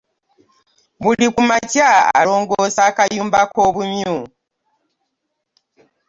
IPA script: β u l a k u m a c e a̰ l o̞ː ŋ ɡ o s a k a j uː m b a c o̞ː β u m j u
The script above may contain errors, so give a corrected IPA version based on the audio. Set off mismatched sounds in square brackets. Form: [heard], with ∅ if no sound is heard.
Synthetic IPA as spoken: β u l [i] k u m a c [a] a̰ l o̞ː ŋ ɡ o s a k a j uː m b a [k] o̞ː β u m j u